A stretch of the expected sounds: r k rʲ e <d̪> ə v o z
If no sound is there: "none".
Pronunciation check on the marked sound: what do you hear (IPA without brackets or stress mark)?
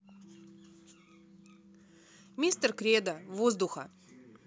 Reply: d̪